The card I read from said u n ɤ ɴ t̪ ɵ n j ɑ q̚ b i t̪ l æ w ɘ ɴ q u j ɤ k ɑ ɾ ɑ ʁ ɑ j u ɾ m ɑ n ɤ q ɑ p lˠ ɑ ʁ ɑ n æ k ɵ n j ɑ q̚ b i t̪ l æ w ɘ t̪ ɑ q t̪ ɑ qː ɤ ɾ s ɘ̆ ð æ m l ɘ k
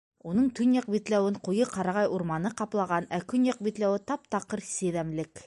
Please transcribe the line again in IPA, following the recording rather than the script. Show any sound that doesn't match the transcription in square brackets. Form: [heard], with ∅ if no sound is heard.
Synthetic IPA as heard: u n ɤ ɴ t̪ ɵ n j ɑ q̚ b i t̪ l æ w ɘ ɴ q u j ɤ [q] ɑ ɾ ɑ ʁ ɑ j u ɾ m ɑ n ɤ q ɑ p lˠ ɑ ʁ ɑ n æ k ɵ n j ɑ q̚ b i t̪ l æ w ɘ t̪ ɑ [p] t̪ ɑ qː ɤ ɾ s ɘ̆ ð æ m l ɘ k